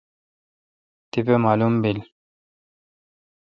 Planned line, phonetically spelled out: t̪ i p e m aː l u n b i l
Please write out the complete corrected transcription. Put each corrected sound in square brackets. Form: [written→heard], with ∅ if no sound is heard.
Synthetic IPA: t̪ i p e m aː l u [n→m] b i l